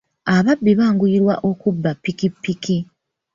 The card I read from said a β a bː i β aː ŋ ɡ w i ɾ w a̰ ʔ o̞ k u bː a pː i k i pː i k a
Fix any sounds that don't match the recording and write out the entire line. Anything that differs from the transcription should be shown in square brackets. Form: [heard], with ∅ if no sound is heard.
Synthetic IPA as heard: a β a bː i β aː ŋ ɡ [u] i ɾ w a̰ ʔ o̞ k u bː a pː i k i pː i k [i]